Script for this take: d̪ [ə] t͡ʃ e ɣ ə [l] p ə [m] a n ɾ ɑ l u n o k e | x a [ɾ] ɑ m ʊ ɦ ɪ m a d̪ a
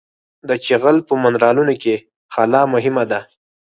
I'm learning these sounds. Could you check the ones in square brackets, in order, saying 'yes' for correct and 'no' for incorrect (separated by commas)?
yes, yes, yes, no